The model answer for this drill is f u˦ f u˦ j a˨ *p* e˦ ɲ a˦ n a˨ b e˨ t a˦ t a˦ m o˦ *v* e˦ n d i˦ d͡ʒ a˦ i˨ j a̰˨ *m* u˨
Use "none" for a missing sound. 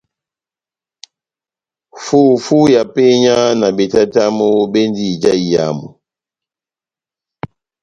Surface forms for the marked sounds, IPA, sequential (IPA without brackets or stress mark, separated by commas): p, b, m